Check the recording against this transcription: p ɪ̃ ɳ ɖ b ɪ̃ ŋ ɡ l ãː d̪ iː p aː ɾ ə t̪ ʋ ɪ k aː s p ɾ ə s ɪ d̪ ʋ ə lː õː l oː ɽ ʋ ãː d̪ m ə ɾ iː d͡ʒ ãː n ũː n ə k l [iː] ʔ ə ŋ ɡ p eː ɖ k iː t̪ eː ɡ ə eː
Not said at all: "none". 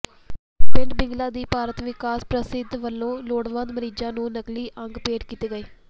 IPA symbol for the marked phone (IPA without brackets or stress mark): iː